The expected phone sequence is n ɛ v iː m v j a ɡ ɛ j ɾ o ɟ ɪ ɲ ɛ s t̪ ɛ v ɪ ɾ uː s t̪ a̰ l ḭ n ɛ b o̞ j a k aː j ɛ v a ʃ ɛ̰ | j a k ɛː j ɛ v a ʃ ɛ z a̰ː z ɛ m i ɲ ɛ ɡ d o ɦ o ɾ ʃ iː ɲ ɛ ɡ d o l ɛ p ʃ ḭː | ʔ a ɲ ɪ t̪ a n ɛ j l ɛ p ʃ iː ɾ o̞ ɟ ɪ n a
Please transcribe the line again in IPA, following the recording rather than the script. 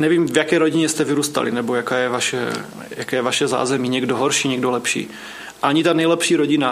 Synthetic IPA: n ɛ v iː m v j a k ɛ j ɾ o ɟ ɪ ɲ ɛ s t̪ ɛ v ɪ ɾ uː s t̪ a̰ l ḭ n ɛ b o̞ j a k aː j ɛ v a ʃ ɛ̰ | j a k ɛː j ɛ v a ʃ ɛ z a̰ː z ɛ m i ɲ ɛ ɡ d o ɦ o ɾ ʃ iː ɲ ɛ ɡ d o l ɛ p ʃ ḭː | ʔ a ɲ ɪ t̪ a n ɛ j l ɛ p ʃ iː ɾ o̞ ɟ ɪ n a